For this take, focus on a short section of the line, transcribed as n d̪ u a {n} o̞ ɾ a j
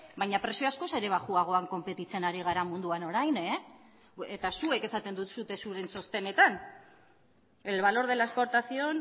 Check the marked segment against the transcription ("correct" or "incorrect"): correct